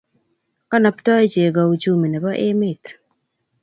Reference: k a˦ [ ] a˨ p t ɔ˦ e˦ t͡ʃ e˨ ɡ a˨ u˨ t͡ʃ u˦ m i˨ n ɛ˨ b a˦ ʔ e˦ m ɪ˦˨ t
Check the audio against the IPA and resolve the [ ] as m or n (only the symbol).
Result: n